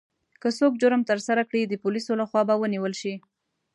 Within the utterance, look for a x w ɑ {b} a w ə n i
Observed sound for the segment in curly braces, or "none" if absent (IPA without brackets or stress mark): b